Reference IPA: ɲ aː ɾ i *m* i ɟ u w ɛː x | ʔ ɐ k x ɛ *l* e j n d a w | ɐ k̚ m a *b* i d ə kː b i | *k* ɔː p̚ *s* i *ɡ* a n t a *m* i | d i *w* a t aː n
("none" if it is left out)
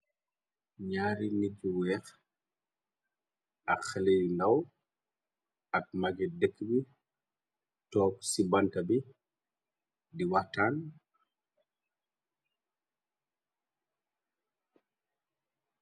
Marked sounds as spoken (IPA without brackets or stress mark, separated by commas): n, l, ɡ, t, s, b, b, w